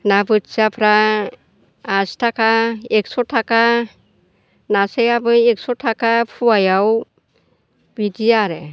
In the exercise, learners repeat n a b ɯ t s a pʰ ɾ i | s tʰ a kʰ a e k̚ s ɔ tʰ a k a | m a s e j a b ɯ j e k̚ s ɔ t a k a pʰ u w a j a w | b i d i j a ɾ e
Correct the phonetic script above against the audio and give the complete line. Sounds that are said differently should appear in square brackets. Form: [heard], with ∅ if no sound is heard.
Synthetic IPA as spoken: n a b ɯ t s a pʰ ɾ [a] | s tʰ a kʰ a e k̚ s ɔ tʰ a k a | [n] a s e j a b ɯ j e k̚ s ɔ [tʰ] a k a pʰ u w a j a w | b i d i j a ɾ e